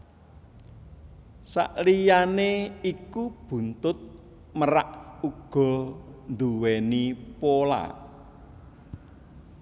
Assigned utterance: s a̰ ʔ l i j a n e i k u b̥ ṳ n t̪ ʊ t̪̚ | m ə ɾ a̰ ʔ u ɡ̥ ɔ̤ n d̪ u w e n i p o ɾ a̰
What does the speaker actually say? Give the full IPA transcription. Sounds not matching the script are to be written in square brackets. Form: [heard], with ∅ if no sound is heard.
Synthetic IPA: s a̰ ʔ l i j a n e i k u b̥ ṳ n t̪ ʊ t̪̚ | m ə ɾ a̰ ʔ u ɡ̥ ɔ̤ n d̪ u w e n i p o [l] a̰